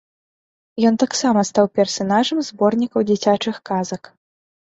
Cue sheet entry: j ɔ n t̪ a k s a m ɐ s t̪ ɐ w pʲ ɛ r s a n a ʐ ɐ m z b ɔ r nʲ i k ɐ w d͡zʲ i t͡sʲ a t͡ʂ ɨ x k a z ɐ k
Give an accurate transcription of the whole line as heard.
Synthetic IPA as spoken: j ɔ n t̪ a k s a m ɐ s t̪ a w pʲ ɛ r s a n a ʐ ɐ m z b ɔ r nʲ i k ɐ w d͡zʲ i t͡sʲ a t͡ʂ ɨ x k a z ɐ k